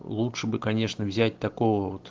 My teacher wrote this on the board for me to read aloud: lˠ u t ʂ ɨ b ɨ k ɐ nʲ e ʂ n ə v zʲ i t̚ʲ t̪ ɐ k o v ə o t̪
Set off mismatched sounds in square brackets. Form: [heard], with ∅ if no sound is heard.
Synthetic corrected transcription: lˠ u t ʂ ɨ b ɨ k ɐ nʲ e ʂ n ə v zʲ [æ] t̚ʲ t̪ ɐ k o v ə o t̪